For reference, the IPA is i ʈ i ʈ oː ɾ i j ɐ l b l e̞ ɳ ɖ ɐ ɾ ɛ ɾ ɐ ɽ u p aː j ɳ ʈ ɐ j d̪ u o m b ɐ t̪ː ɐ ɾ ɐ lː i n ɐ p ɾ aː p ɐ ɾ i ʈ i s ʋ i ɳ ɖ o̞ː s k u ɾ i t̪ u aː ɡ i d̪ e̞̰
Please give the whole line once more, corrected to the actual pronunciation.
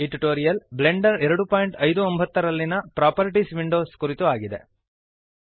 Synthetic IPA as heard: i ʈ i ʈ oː ɾ i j ɐ l b l e̞ ɳ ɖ ɐ ɾ ɛ ɾ ɐ ɽ u p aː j ɳ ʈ ɐ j d̪ u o m b ɐ t̪ː ɐ ɾ ɐ lː i n ɐ p ɾ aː p ɐ ɾ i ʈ i s ʋ i ɳ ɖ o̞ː s k u ɾ i t̪ u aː ɡ i d̪ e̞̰